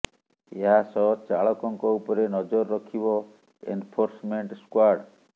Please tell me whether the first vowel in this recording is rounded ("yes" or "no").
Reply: no